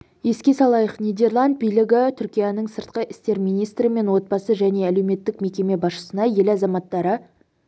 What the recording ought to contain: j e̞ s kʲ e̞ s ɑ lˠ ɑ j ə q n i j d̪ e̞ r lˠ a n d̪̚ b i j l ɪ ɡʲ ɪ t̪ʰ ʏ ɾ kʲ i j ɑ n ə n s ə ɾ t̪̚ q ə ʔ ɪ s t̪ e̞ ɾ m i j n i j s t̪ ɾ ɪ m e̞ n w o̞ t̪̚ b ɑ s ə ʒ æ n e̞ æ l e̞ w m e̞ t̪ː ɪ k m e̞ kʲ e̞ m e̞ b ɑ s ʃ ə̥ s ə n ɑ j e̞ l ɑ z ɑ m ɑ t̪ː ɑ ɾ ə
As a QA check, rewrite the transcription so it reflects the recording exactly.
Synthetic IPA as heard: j e̞ s kʲ e̞ s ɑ lˠ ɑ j ə q n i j d̪ e̞ r lˠ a n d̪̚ b i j l ɪ ɡʲ ɪ t̪ʰ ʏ ɾ kʲ i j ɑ n ə ɴ s ə ɾ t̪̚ q ə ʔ ɪ s t̪ e̞ ɾ m i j n i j s t̪ ɾ ɪ m e̞ n w o̞ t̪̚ b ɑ s ə ʒ æ n e̞ æ l e̞ w m e̞ t̪ː ɪ k m e̞ kʲ e̞ m e̞ b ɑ s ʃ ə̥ s ə n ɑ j e̞ l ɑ z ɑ m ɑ t̪ː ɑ ɾ ə